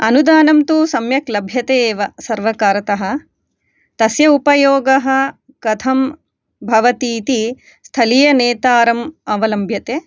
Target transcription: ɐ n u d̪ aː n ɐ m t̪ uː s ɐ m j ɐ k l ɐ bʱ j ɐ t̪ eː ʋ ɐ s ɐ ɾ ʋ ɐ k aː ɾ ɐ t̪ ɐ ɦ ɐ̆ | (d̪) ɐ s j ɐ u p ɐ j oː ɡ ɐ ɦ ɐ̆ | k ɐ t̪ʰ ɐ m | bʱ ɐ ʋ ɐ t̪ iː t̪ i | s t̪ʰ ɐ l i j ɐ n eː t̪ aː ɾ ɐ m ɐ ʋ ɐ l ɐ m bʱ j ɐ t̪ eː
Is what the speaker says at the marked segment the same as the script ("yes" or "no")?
no